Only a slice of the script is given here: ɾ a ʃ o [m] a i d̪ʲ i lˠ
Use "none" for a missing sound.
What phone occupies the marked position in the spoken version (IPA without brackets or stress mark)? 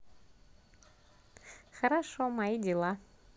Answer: m